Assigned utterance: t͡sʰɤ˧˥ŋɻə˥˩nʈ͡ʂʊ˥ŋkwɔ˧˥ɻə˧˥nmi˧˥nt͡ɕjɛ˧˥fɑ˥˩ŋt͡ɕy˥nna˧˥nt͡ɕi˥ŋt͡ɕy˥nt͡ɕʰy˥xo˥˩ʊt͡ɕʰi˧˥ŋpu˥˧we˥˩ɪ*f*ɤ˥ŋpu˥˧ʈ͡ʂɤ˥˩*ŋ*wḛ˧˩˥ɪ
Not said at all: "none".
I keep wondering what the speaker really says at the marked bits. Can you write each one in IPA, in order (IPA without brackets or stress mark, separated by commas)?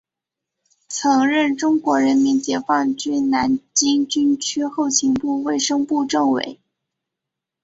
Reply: ʂ, ŋ